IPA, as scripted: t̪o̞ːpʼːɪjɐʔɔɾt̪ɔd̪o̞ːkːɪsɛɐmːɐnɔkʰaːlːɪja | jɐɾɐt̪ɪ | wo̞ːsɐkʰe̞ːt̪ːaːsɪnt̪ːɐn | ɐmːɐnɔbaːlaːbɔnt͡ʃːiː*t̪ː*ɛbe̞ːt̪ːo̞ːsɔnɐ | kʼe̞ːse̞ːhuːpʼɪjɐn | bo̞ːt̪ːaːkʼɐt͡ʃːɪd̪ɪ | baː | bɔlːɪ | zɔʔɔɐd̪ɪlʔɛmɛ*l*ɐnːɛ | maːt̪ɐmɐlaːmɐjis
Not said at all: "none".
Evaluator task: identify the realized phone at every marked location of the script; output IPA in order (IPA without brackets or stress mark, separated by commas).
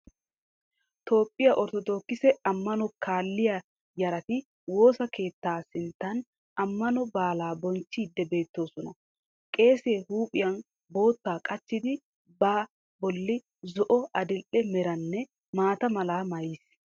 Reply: d̪ː, ɾ